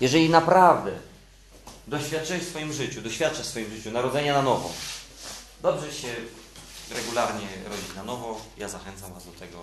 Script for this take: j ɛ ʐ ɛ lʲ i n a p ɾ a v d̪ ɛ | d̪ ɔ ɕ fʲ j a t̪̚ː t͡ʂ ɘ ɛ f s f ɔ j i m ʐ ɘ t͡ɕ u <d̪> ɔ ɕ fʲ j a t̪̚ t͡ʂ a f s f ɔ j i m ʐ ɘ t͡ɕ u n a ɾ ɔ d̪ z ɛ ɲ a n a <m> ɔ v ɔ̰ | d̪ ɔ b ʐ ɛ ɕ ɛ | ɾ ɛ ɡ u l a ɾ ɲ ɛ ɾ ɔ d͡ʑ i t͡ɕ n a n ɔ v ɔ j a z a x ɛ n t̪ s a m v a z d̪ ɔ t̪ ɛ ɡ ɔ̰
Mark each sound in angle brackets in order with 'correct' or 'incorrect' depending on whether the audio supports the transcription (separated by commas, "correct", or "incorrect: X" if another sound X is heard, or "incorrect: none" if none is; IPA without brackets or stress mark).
correct, incorrect: n